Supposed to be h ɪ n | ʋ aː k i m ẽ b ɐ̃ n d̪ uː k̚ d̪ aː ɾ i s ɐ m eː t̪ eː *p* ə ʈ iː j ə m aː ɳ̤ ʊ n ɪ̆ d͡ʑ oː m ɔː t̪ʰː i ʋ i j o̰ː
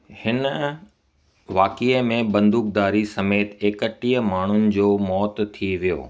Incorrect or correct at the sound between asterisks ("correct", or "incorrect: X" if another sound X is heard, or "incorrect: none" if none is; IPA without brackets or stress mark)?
incorrect: k